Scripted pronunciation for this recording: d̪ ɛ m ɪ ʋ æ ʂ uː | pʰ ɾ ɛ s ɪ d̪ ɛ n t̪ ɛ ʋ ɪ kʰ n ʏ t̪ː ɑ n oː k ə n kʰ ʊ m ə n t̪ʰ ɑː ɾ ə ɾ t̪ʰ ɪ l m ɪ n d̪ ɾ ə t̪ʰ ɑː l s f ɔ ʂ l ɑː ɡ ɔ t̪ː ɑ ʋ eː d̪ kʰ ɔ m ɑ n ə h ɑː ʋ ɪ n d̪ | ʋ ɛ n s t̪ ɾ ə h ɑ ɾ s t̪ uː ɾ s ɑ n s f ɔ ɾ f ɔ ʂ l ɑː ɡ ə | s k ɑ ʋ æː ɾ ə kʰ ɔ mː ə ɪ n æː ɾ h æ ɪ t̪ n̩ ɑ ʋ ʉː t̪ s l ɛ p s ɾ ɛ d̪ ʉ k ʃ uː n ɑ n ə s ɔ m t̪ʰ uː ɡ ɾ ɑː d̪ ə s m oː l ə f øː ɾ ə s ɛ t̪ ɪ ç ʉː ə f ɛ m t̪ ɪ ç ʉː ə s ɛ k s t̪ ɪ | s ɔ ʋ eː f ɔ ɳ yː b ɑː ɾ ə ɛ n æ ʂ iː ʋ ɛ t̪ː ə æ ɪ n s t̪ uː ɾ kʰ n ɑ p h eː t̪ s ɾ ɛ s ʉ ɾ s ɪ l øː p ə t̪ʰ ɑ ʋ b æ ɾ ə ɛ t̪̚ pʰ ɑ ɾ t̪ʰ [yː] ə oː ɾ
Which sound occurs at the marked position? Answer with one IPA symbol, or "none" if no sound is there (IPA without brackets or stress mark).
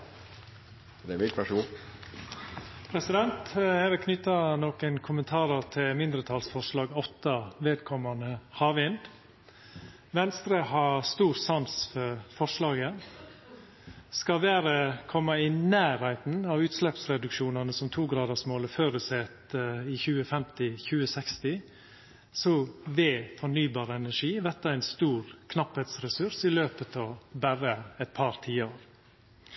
iː